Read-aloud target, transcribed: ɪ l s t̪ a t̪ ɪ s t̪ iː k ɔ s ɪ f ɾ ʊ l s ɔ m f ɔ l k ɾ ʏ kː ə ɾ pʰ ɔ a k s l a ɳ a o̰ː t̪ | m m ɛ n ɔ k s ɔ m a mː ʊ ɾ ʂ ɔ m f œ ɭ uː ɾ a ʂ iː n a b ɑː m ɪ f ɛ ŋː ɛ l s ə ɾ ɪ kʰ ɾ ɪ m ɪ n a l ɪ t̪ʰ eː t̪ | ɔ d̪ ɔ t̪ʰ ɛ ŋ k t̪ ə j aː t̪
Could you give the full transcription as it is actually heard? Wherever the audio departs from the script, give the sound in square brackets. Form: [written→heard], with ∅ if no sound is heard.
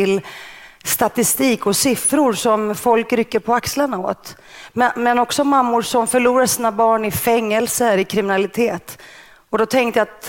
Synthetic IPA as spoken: ɪ l s t̪ a t̪ ɪ s t̪ iː k ɔ s ɪ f ɾ ʊ [l→ɾ] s ɔ m f ɔ l k ɾ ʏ kː ə ɾ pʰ ɔ a k s l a ɳ a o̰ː t̪ | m m ɛ n ɔ k s ɔ m a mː ʊ ɾ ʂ ɔ m f œ ɭ uː ɾ a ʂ iː n a b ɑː [m→ɳ] ɪ f ɛ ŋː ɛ l s ə ɾ ɪ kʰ ɾ ɪ m ɪ n a l ɪ t̪ʰ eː t̪ | ɔ d̪ ɔ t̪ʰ ɛ ŋ k t̪ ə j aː t̪